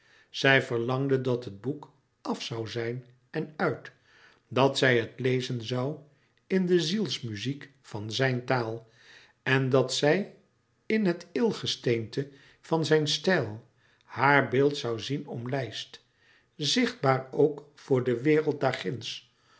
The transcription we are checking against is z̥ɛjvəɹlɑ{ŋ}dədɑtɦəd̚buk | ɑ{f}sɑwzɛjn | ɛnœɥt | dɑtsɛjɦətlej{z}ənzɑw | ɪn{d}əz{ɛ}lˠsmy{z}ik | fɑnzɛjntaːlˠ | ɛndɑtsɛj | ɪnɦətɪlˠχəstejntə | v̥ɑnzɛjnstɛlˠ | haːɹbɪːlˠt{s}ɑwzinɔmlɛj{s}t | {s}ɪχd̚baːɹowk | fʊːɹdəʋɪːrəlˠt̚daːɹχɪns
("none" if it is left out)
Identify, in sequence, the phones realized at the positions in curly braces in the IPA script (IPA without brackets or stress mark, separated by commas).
ŋ, f, z, d, i, z, s, s, z